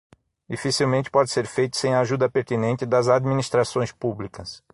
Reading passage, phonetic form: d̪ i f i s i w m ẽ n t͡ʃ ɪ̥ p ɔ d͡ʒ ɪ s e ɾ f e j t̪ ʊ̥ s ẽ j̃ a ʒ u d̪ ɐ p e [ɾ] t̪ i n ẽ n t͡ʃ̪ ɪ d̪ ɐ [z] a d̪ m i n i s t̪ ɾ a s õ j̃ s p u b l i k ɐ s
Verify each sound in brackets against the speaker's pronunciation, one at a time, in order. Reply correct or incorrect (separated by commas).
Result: correct, correct